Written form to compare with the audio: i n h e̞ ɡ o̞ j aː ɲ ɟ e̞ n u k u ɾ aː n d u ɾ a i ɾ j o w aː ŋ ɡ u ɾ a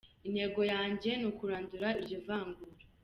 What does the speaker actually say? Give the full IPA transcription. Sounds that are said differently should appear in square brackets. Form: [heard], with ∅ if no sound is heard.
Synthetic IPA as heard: i n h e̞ ɡ o̞ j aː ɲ ɟ e̞ n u k u ɾ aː n d u ɾ a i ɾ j o [v] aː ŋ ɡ u ɾ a